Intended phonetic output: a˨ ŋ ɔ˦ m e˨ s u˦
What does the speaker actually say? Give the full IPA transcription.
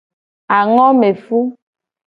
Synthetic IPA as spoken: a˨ ŋ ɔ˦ m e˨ f u˦